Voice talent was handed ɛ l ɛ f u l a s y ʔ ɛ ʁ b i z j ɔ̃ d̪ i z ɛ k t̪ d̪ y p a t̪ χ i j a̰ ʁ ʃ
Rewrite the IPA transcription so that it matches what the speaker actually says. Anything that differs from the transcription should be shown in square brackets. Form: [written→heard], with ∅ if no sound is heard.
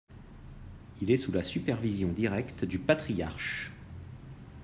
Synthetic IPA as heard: [ɛ→i] l ɛ [f→s] u l a s y [ʔ→p] ɛ ʁ [b→v] i z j ɔ̃ d̪ i [z→ʁ] ɛ k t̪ d̪ y p a t̪ χ i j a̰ ʁ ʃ